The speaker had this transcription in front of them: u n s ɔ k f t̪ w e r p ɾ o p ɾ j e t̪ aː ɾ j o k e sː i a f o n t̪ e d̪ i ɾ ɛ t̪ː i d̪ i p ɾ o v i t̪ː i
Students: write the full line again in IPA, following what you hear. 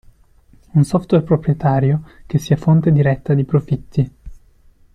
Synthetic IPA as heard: u n s ɔ f t̪ w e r p ɾ o p ɾ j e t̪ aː ɾ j o k e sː i a f o n t̪ e d̪ i ɾ ɛ t̪ː a d̪ i p ɾ o f i t̪ː i